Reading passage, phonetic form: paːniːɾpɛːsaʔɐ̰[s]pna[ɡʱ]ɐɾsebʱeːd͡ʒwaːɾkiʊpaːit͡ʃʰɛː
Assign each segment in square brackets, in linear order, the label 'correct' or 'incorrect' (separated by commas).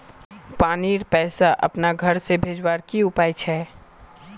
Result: incorrect, correct